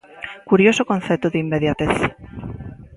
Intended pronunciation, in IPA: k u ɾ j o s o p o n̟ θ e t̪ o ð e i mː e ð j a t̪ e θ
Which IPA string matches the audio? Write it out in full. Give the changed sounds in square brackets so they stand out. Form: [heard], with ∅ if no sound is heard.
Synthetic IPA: k u ɾ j o s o [k] o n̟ θ e t̪ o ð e i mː e ð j a t̪ e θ